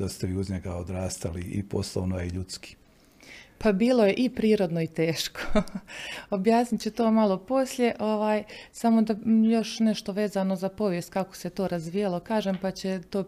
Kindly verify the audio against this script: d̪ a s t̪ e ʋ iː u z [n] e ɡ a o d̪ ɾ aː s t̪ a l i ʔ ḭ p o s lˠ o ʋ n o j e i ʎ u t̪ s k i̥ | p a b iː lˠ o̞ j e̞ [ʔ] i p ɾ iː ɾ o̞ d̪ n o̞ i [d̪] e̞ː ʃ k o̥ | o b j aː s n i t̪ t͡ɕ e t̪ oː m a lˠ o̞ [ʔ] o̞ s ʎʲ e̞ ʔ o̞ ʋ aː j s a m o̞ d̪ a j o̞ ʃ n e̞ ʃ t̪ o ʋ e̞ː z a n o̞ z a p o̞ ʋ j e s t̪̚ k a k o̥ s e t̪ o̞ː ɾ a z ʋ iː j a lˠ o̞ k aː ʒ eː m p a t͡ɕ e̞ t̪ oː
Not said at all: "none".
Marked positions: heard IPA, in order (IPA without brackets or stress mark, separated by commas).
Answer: ɲ, ʔ, t̪, p